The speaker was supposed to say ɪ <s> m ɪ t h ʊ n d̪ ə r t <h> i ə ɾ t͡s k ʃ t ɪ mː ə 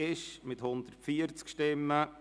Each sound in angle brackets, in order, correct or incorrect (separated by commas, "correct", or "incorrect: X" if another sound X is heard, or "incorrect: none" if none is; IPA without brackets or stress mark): incorrect: ʃ, incorrect: f